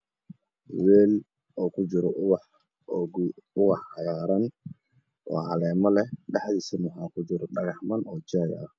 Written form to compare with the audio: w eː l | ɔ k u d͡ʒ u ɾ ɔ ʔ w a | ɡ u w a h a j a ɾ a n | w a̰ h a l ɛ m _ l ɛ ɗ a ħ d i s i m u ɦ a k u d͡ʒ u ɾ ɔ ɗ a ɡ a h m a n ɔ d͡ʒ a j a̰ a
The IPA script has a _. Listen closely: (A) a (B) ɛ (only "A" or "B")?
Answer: A